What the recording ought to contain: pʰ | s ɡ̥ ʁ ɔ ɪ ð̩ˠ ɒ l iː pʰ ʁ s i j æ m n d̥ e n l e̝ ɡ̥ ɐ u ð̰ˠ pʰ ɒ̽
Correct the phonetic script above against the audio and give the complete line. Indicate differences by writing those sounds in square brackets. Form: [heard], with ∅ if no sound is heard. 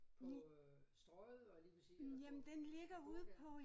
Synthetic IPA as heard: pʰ | s [d̥] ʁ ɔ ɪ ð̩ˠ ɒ l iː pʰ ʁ s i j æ m n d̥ e n l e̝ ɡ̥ ɐ u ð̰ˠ pʰ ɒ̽